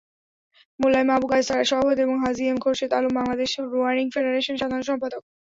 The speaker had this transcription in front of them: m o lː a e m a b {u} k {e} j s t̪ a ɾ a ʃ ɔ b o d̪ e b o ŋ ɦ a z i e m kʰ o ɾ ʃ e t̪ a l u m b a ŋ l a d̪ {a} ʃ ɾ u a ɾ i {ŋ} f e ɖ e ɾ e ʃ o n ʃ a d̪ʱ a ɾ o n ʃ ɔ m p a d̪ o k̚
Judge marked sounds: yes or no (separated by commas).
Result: yes, no, no, yes